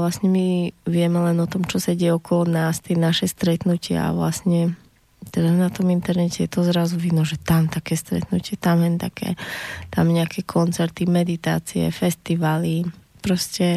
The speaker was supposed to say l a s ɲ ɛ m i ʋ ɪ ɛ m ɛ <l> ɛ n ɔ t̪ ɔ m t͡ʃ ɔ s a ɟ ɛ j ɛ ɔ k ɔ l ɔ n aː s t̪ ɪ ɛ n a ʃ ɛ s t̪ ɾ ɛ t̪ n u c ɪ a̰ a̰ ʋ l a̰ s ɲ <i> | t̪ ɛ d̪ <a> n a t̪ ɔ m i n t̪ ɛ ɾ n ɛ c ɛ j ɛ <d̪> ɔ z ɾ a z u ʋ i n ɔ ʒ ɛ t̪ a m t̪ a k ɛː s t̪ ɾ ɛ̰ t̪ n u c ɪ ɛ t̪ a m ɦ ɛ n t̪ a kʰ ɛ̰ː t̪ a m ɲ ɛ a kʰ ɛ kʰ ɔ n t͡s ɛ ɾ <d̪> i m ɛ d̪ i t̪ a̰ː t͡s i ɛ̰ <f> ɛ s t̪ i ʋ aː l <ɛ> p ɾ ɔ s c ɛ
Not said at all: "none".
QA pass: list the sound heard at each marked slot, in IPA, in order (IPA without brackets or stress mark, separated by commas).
l, ɛ, a, t̪, t̪, f, i